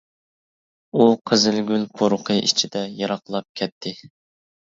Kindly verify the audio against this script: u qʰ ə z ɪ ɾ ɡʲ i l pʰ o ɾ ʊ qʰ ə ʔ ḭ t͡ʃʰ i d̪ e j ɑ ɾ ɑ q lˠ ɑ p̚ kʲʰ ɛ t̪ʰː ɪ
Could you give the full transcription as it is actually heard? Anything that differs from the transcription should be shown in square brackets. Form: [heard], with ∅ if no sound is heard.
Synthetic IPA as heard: u qʰ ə z ɪ [l] ɡʲ [y] l pʰ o ɾ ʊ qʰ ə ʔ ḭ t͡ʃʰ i d̪ [ɛ] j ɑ ɾ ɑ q lˠ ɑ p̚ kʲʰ ɛ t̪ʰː ɪ